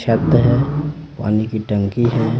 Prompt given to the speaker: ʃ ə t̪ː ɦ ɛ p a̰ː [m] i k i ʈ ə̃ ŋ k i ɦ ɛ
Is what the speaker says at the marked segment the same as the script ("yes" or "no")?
no